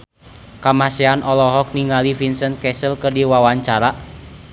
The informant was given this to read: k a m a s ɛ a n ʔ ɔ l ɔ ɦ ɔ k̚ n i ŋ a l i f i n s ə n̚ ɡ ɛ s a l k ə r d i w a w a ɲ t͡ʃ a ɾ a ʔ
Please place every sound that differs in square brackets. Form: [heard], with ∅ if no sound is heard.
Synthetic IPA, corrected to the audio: k a m a s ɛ a n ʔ ɔ l ɔ ɦ ɔ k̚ n i ŋ a l i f i n s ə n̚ [k] ɛ s [ə] l k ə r d i w a w a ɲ t͡ʃ a ɾ a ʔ